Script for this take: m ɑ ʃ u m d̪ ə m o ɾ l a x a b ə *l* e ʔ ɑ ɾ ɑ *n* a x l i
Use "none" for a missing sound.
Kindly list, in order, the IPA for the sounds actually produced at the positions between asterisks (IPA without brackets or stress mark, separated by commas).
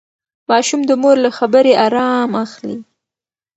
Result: ɾ, m